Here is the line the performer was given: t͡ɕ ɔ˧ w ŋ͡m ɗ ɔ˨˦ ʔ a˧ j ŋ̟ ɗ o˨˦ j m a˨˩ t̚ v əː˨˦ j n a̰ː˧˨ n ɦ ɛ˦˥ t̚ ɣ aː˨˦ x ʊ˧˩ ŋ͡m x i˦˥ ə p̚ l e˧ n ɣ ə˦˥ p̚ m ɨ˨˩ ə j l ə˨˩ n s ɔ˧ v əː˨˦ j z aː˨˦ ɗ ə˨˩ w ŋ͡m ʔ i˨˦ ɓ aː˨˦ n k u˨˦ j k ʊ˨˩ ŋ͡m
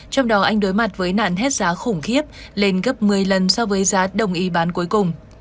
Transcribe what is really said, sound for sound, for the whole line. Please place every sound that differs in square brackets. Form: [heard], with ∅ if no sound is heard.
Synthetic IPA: t͡ɕ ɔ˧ w ŋ͡m ɗ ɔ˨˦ ʔ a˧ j ŋ̟ ɗ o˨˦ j m a˨˩ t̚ v əː˨˦ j n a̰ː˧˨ n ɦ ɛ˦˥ t̚ [z] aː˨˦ x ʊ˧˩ ŋ͡m x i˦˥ ə p̚ l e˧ n ɣ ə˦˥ p̚ m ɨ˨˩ ə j l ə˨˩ n s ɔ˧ v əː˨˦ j z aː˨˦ ɗ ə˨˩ w ŋ͡m ʔ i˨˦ ɓ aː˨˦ n k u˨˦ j k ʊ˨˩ ŋ͡m